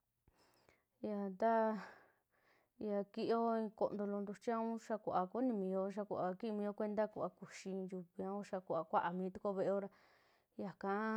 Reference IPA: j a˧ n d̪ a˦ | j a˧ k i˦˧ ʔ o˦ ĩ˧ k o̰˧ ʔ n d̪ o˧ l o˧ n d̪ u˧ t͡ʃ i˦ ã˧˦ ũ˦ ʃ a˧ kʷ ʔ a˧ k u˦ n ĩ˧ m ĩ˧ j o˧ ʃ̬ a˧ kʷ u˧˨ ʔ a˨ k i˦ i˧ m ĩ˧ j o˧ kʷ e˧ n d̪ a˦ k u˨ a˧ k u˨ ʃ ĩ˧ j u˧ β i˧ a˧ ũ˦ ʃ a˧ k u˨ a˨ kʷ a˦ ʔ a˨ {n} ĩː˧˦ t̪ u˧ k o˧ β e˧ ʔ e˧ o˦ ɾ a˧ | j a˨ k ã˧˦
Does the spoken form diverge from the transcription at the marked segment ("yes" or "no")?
yes